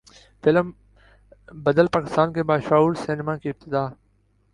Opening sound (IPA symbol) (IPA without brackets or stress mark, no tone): f